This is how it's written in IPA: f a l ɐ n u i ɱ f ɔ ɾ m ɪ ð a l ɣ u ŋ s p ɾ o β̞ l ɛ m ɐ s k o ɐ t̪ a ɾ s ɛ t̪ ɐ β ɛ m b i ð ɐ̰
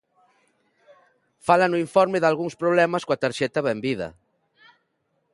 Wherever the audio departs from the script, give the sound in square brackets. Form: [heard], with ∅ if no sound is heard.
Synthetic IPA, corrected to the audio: f a l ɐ n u i ɱ f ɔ ɾ m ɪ ð a l ɣ u ŋ s p ɾ o β̞ l ɛ m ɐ s k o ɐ t̪ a ɾ [ʃ] ɛ t̪ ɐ β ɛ m b i ð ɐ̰